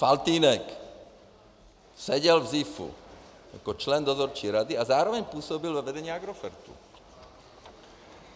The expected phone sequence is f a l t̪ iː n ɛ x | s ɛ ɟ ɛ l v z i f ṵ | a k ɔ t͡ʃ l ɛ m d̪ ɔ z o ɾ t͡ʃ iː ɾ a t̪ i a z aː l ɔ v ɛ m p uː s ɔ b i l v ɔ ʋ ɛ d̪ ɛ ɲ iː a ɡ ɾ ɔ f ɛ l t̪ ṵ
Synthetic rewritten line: f a l t̪ iː n ɛ k | s ɛ ɟ ɛ l v z i f ṵ | a k ɔ t͡ʃ l ɛ n d̪ ɔ z ɔ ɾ t͡ʃ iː ɾ a d̪ i a z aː ɾ ɔ ʋ ɛ ɲ p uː s ɔ b i l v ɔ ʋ ɛ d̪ ɛ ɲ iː a ɡ ɾ ɔ f ɛ ɾ t̪ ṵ

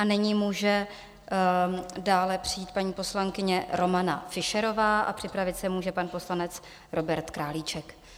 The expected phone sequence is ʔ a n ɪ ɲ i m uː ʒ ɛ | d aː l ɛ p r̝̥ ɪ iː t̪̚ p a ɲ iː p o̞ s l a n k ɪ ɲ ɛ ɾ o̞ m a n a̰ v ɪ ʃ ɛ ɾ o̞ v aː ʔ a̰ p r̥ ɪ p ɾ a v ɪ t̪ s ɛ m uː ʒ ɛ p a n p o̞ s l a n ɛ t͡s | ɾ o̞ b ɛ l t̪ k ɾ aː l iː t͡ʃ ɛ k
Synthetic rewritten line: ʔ a n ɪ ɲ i m uː ʒ ɛ | d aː l ɛ p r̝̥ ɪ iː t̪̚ p a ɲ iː p o̞ s l a ŋ k ɪ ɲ ɛ ɾ o̞ m a n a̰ f ɪ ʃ ɛ ɾ o̞ v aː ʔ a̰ p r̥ ɪ p ɾ a v ɪ t̪ s ɛ m uː ʒ ɛ p a n p o̞ s l a n ɛ t͡s | ɾ o̞ b ɛ ɾ t̪ k ɾ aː l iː t͡ʃ ɛ k

